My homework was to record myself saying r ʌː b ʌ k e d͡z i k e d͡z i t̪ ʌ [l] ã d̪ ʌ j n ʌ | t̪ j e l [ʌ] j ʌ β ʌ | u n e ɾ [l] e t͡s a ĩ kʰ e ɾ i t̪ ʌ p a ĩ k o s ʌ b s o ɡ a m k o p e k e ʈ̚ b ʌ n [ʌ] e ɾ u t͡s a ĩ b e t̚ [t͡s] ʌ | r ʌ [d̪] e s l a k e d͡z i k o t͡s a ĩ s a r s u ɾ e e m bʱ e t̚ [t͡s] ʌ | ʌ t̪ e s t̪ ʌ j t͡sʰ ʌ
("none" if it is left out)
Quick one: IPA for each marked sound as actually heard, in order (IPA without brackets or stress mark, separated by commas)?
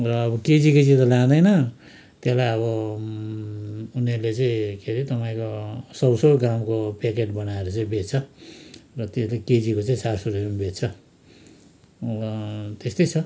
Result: l, a, l, a, t͡sʰ, t̪, t͡sʰ